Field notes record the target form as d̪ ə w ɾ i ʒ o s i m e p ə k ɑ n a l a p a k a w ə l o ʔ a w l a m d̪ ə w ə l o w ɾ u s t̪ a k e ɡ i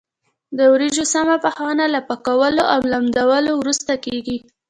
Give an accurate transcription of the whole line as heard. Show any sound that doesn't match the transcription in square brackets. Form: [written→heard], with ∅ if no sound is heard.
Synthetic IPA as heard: d̪ ə w ɾ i ʒ o s [i→a] m [e→a] p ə [k→x] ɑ n a l a p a k a w ə l o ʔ a w l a m d̪ [ə→a] w ə l o w ɾ u s t̪ a k e ɡ i